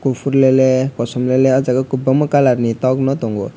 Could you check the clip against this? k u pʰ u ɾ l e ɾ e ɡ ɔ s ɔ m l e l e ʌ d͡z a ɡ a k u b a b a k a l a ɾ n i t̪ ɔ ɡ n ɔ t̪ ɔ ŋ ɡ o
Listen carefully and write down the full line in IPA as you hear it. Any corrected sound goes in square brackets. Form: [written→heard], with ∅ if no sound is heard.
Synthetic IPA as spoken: k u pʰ u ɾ l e [ɾ→l] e [ɡ→k] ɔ s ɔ m l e l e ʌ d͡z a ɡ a k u b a [b→m] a k a l a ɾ n i t̪ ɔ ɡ n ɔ t̪ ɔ ŋ ɡ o